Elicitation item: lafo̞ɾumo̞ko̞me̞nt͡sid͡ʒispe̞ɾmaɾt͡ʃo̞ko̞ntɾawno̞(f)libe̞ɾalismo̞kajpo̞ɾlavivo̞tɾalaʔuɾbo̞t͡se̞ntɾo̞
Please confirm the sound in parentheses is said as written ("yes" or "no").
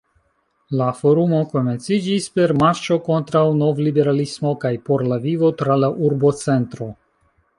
no